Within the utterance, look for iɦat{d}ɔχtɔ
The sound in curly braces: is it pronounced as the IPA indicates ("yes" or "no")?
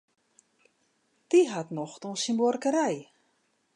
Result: no